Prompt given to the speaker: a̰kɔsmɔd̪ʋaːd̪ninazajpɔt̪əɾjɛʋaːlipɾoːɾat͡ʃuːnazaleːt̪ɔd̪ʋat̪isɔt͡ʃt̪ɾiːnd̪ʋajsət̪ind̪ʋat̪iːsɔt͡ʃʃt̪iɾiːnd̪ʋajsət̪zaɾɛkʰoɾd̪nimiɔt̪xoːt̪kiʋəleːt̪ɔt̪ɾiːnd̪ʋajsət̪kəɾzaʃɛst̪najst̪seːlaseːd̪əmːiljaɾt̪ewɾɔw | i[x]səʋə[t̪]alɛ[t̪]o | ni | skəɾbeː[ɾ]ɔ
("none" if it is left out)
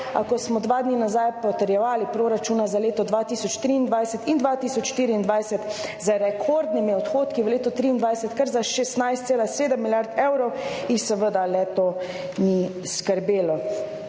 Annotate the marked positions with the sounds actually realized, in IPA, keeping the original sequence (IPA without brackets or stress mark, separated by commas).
x, d̪, t̪, l